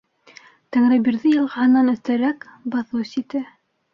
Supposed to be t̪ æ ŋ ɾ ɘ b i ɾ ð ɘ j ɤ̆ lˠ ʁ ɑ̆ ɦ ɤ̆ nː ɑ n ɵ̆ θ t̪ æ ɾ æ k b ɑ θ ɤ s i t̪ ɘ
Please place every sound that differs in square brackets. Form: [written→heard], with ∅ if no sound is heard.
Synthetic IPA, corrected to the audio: t̪ æ ŋ ɾ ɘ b i ɾ ð ɘ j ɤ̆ lˠ ʁ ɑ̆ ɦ ɤ̆ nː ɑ n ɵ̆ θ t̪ æ ɾ æ k b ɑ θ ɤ s i t̪ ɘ